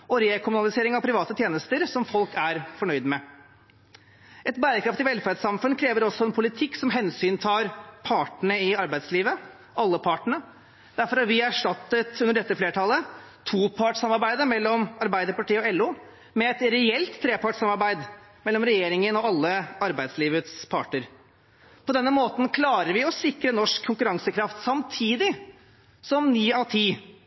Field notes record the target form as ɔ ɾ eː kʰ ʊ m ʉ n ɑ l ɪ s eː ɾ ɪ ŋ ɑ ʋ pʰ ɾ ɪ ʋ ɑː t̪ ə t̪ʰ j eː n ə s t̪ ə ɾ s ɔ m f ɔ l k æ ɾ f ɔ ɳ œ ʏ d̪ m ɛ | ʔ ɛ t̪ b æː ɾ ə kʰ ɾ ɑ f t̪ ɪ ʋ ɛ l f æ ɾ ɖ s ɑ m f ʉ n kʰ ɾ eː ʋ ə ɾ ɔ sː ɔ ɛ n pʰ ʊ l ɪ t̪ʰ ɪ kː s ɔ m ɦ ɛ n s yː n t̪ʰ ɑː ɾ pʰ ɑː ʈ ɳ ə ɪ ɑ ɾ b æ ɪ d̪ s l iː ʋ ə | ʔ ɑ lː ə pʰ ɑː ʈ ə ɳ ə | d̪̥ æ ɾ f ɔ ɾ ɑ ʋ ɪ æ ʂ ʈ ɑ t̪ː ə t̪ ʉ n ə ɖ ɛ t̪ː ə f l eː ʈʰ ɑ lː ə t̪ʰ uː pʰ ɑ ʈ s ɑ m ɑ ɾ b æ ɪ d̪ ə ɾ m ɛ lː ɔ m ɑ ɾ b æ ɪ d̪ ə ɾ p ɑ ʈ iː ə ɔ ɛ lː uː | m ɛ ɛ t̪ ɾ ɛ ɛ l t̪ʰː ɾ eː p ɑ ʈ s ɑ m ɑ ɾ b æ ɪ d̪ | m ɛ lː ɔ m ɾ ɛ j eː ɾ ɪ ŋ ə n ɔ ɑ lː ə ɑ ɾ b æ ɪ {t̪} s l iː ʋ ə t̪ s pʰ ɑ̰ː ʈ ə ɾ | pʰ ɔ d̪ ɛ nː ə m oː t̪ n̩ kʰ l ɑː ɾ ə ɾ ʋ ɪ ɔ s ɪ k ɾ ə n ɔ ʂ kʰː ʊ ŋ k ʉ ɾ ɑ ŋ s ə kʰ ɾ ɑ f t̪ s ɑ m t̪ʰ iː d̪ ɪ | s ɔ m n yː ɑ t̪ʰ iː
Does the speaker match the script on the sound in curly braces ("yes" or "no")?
no